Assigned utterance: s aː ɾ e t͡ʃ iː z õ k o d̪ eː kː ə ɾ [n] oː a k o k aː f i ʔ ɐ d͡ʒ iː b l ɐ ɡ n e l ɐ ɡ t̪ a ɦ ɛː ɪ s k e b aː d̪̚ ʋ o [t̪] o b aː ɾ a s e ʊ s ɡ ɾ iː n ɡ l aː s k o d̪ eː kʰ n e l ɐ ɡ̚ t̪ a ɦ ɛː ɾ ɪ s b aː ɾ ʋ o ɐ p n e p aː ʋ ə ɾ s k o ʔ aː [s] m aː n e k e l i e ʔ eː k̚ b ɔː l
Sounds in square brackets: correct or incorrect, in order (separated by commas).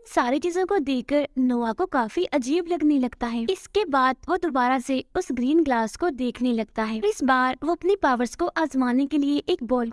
correct, incorrect, incorrect